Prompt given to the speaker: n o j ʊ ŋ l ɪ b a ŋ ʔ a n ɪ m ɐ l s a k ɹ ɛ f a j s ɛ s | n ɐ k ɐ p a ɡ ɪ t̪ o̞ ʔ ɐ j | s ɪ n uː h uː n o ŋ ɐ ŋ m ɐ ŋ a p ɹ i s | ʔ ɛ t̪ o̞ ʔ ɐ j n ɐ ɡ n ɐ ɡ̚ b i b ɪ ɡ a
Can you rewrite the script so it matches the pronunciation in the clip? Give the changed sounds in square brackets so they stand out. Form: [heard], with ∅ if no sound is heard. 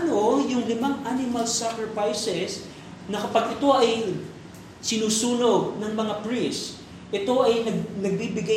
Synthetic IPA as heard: n o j ʊ ŋ l ɪ [m] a ŋ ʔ a n ɪ m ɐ l s a k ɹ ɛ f a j s ɛ s | n ɐ k ɐ p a ɡ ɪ t̪ o̞ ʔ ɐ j | s ɪ n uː [s] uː n o [n] ɐ ŋ m ɐ ŋ a p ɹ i s | ʔ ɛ t̪ o̞ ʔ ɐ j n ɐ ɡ n ɐ ɡ̚ b i b ɪ ɡ a